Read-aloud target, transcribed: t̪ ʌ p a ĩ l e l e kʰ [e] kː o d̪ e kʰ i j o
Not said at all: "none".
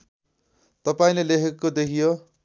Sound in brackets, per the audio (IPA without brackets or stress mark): e